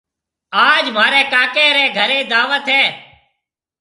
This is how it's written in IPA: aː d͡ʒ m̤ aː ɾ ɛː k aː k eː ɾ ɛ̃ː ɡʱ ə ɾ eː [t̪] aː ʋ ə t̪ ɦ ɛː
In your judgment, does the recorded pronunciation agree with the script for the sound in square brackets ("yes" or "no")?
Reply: no